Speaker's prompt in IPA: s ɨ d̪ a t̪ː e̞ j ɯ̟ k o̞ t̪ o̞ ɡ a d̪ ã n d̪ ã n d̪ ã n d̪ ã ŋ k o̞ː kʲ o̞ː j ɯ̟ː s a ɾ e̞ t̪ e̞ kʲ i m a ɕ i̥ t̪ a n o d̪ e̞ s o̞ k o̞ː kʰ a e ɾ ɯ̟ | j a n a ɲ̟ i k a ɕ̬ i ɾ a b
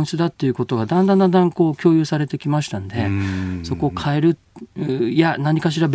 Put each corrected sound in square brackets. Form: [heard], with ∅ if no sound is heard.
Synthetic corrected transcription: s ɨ d̪ a t̪ː e̞ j ɯ̟ k o̞ t̪ o̞ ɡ a d̪ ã n d̪ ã n d̪ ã n d̪ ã ŋ k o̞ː kʲ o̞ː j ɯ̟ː s a ɾ e̞ t̪ e̞ kʲ i m a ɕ i̥ t̪ a n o d̪ e̞ s o̞ k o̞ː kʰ a e ɾ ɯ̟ | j a n a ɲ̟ i k a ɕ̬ i ɾ a b